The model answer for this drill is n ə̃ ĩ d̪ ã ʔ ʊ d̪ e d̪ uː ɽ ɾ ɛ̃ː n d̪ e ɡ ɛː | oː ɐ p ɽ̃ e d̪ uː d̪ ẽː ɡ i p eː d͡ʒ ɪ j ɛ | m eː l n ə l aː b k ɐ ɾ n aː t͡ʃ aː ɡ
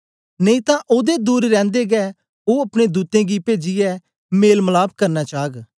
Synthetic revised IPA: n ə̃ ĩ t̪ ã ʔ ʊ d̪ e d̪ uː ɾ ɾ ɛ̃ː n d̪ e ɡ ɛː | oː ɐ p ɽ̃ e d̪ uː t̪ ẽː ɡ i p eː d͡ʒ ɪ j ɛ | m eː l m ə l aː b k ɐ ɾ n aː t͡ʃ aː ɡ